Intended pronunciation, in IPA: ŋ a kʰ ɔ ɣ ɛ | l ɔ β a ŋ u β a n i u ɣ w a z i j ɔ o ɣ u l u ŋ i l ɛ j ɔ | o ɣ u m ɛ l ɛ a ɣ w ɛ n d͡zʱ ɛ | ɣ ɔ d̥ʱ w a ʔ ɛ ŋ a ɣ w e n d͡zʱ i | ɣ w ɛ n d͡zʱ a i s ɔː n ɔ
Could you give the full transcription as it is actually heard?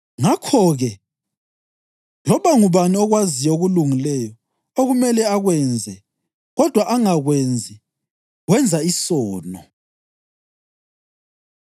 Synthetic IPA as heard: ŋ a kʰ ɔ ɣ ɛ | l ɔ β a ŋ u β a n i ɔ ɣ w a z i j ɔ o ɣ u l u ŋ i l ɛ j ɔ | o ɣ u m ɛ l ɛ a ɣ w ɛ n d͡zʱ ɛ | ɣ ɔ d̥ʱ w a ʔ a ŋ a ɣ w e n d͡zʱ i | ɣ w ɛ n d͡zʱ a i s ɔː n ɔ